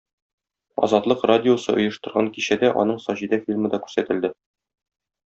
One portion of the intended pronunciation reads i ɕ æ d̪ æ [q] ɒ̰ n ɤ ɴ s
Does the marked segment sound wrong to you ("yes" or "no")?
yes